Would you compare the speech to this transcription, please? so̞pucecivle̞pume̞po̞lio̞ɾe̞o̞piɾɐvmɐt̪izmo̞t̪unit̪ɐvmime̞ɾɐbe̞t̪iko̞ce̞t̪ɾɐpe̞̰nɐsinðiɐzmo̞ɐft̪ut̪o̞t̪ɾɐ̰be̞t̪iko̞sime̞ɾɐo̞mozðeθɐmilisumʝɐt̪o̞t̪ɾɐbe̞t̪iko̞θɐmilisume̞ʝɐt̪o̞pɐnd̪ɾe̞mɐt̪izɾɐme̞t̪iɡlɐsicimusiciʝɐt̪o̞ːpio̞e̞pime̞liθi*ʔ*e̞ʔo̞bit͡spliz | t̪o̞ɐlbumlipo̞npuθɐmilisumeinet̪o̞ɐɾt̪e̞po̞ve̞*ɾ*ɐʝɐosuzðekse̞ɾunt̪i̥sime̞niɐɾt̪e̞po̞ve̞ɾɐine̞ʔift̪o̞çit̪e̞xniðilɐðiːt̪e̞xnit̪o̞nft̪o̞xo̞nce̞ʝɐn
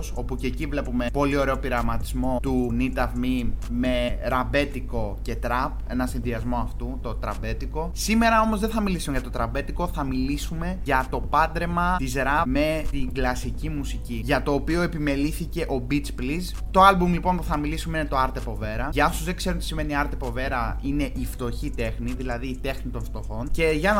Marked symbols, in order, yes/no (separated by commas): no, yes